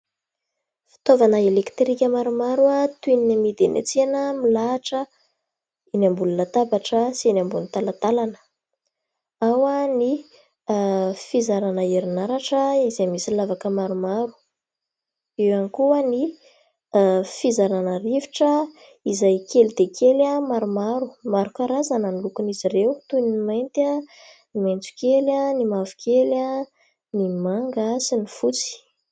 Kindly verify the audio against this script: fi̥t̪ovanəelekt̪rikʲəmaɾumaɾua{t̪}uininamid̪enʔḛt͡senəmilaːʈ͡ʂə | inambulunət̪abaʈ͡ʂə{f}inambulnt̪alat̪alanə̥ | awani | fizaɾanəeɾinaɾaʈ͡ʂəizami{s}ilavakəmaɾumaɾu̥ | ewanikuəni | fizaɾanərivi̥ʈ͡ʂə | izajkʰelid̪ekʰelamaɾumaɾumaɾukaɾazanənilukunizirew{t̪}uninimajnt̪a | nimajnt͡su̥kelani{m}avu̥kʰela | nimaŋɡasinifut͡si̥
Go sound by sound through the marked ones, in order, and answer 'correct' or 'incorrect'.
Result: correct, incorrect: s, correct, correct, correct

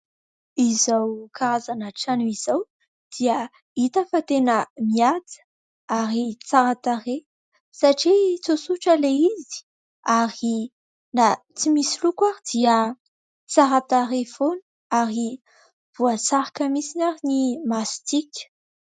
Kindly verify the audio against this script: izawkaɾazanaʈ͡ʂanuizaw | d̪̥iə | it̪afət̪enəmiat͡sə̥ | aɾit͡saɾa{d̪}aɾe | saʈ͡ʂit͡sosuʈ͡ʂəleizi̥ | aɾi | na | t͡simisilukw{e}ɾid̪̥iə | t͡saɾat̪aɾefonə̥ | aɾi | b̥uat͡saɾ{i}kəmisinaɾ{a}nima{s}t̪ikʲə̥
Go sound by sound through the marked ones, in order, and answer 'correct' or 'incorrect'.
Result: incorrect: t̪, incorrect: a, incorrect: a, incorrect: i, correct

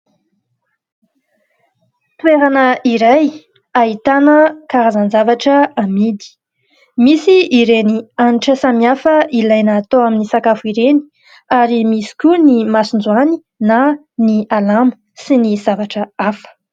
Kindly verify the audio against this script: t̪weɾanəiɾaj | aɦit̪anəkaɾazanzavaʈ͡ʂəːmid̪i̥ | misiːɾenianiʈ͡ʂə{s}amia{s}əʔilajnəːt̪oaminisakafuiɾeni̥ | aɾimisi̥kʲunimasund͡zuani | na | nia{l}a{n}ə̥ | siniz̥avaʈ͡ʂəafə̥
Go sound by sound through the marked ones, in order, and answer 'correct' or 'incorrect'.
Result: correct, incorrect: f, correct, incorrect: m

